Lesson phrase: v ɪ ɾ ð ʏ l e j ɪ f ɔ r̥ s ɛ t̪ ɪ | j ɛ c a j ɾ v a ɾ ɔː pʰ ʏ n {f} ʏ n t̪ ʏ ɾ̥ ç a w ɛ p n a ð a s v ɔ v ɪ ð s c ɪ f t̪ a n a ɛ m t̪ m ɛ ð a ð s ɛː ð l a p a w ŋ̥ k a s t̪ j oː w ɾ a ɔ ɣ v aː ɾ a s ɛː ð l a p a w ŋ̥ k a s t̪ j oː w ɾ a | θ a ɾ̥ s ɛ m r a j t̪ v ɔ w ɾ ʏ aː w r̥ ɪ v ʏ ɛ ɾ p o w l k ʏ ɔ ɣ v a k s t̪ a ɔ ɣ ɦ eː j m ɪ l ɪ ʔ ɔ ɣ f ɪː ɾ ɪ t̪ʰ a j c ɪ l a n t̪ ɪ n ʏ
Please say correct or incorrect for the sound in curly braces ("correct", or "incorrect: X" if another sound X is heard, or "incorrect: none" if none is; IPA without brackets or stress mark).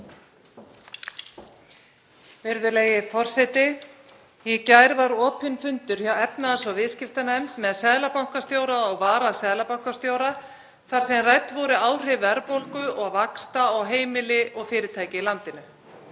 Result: correct